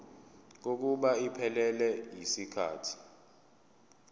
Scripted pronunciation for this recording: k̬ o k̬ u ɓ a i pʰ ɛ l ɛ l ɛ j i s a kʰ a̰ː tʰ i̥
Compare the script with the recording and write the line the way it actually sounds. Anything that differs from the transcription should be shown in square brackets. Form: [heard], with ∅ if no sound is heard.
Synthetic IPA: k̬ o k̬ u ɓ a i pʰ ɛ l ɛ l ɛ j i s [i] kʰ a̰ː tʰ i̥